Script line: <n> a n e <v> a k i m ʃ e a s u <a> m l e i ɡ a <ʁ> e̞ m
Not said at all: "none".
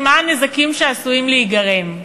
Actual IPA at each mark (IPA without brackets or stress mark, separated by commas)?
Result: m, z, i, ʁ